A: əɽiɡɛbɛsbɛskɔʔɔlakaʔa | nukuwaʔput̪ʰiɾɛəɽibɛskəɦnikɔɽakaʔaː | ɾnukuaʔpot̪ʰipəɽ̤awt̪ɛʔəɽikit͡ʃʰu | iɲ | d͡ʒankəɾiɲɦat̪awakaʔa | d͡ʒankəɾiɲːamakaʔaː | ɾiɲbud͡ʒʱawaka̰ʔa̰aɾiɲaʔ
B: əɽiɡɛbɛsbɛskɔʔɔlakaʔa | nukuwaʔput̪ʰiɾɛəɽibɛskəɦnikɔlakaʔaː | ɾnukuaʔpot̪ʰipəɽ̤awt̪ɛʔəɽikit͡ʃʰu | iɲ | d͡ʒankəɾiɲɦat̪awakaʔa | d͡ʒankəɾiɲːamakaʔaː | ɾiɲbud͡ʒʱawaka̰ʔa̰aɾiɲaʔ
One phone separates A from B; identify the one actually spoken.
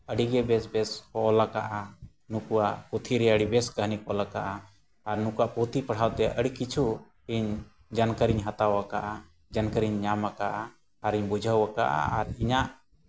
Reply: B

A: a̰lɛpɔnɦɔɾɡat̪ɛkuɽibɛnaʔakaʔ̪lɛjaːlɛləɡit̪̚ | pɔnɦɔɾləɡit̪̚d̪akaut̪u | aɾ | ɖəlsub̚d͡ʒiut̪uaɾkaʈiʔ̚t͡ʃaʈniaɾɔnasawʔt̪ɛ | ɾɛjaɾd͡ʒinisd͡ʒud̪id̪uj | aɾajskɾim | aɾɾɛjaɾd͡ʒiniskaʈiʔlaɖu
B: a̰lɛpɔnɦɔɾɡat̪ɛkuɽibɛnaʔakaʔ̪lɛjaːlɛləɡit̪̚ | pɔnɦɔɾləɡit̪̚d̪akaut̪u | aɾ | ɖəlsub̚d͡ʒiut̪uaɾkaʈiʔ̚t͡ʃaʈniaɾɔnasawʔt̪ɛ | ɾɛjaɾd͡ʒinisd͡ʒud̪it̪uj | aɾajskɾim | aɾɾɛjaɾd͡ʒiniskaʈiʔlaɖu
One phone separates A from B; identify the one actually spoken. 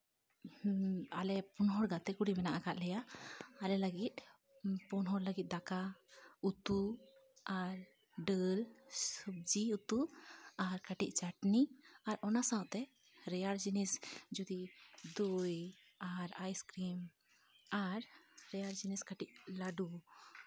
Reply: A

